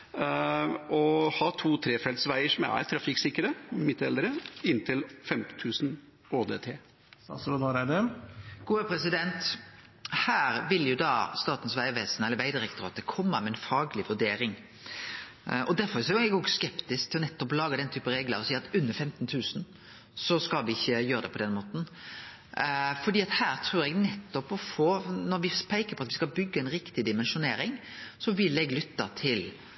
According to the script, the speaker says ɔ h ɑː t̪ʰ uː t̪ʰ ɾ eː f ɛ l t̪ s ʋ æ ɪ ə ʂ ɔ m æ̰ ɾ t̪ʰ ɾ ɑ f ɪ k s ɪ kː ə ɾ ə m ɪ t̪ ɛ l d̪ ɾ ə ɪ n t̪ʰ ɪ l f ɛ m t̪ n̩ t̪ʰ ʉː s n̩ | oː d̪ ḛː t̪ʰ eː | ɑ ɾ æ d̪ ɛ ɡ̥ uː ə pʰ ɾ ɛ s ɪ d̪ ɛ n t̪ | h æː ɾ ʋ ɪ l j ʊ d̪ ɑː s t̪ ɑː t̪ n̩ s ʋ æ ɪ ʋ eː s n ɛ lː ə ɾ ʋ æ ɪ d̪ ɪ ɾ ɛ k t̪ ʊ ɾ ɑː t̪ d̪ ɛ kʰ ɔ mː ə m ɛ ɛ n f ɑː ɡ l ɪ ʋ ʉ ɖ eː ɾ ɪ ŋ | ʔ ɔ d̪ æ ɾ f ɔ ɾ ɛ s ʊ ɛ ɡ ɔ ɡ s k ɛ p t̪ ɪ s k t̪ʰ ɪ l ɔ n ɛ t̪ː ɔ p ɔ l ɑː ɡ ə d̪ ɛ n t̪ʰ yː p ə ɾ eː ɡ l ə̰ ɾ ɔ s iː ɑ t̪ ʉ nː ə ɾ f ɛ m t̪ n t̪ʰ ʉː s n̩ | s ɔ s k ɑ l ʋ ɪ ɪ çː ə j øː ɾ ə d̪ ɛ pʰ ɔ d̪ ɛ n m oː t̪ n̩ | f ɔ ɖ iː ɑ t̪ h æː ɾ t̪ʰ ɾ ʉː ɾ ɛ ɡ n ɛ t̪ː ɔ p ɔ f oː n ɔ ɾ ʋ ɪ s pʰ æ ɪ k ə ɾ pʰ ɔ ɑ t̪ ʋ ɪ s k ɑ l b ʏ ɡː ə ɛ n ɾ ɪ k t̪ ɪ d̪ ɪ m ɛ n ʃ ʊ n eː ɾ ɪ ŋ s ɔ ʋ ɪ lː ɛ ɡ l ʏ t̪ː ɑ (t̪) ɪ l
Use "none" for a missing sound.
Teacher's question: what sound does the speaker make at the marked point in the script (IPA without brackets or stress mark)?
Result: t̪ʰ